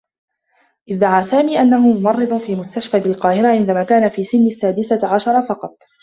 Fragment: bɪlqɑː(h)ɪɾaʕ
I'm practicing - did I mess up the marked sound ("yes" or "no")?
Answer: no